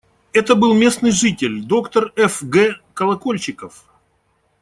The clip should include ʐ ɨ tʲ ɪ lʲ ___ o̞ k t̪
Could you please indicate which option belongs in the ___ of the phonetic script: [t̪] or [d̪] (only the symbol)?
d̪